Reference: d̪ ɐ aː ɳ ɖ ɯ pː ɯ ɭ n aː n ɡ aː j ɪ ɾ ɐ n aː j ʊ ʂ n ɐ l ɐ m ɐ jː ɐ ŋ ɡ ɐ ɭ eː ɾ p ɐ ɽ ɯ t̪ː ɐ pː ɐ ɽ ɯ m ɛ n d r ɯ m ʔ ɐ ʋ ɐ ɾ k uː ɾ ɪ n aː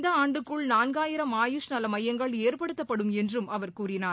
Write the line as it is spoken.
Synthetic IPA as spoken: d̪ ɐ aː ɳ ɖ ɯ kː ɯ ɭ n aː n ɡ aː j ɪ ɾ ɐ m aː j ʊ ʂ n ɐ l ɐ m ɐ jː ɐ ŋ ɡ ɐ ɭ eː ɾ p ɐ ɽ ɯ t̪ː ɐ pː ɐ ɽ ɯ m ɛ n d r ɯ m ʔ ɐ ʋ ɐ ɾ k uː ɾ ɪ n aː

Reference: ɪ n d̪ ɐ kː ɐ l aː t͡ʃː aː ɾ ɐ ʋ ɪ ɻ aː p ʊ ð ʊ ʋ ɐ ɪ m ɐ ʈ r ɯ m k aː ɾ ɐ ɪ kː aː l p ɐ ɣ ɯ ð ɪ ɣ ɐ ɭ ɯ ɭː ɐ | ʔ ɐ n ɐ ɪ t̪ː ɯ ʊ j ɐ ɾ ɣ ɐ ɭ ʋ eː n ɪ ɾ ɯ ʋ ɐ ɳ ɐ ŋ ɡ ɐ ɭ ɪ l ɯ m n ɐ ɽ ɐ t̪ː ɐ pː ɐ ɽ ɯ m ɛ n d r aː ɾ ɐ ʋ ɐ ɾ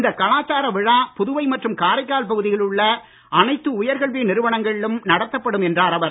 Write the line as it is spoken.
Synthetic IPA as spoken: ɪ n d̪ ɐ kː ɐ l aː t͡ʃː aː ɾ ɐ ʋ ɪ ɻ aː p ʊ ð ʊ ʋ ɐ ɪ m ɐ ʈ r ɯ m k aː ɾ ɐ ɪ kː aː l p ɐ ɣ ɯ ð ɪ ɣ ɐ ɭ ɯ ɭː ɐ | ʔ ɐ n ɐ ɪ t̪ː ɯ ʊ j ɐ ɾ ɣ ɐ ɭ ʋ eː n ɪ ɾ ɯ ʋ ɐ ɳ ɐ ŋ ɡ ɐ ɭ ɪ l ɯ m n ɐ ɽ ɐ t̪ː ɐ pː ɐ ɽ ɯ m ɛ n d r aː ɾ ɐ ʋ ɐ ɾ

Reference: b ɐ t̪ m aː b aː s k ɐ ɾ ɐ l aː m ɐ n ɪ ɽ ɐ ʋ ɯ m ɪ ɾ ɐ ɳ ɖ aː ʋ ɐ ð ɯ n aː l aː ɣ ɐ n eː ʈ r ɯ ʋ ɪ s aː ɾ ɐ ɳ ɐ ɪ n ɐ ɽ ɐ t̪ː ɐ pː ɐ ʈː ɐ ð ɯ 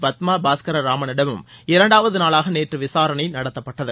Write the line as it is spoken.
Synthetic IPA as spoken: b ɐ t̪ m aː b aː s k ɐ ɾ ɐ ɾ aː m ɐ n ɪ ɽ ɐ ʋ ɯ m ɪ ɾ ɐ ɳ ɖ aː ʋ ɐ ð ɯ n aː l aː ɣ ɐ n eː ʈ r ɯ ʋ ɪ s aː ɾ ɐ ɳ ɐ ɪ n ɐ ɽ ɐ t̪ː ɐ pː ɐ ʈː ɐ ð ɯ

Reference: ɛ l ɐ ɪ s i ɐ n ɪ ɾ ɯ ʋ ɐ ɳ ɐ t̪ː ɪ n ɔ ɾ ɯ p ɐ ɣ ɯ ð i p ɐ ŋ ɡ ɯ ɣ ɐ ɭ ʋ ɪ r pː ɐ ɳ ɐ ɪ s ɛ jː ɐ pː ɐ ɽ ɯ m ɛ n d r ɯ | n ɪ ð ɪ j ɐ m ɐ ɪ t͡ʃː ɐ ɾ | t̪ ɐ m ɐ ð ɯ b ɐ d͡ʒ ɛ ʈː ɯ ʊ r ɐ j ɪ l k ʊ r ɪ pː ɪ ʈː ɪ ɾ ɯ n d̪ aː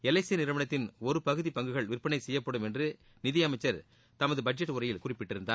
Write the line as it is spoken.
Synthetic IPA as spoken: ɛ l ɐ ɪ s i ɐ n ɪ ɾ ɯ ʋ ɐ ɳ ɐ t̪ː ɪ n ɔ ɾ ɯ p ɐ ɣ ɯ ð i p ɐ ŋ ɡ ɯ ɣ ɐ ɭ ʋ ɪ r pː ɐ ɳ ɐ ɪ s ɛ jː ɐ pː ɐ ɽ ɯ m ɛ n d r ɯ | n ɪ ð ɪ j ɐ m ɐ ɪ t͡ʃː ɐ ɾ | t̪ ɐ m ɐ ð ɯ b ɐ d͡ʒ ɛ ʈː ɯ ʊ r ɐ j ɪ l k ʊ r ɪ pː ɪ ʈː ɪ ɾ ɯ n d̪ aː

